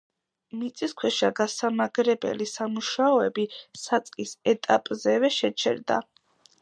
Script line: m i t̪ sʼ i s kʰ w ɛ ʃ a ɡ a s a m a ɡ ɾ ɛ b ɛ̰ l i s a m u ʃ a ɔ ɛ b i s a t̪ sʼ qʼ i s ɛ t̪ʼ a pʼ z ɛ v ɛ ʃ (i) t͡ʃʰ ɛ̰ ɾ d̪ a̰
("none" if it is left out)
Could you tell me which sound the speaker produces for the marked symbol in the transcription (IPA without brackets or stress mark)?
ɛ